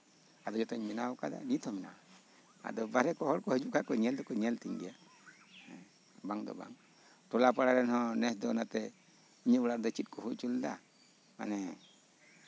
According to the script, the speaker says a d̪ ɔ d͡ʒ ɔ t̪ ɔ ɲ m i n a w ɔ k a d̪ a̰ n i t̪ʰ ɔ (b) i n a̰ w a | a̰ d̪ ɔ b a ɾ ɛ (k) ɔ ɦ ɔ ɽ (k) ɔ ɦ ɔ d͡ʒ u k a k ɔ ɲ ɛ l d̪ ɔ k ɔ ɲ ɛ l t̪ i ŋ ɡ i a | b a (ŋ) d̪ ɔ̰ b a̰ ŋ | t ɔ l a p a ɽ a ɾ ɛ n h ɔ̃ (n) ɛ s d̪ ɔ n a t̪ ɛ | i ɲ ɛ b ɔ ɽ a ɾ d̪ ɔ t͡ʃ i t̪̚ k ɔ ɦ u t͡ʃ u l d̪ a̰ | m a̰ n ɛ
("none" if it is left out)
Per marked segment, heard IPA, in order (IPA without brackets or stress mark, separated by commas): m, k, k, ŋ, n